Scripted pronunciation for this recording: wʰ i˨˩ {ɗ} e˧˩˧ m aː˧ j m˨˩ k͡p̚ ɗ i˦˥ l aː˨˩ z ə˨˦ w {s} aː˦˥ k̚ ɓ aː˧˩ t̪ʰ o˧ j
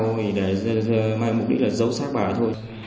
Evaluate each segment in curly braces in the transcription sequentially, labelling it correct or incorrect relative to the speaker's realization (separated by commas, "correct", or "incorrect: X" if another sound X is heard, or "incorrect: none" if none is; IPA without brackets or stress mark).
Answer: correct, correct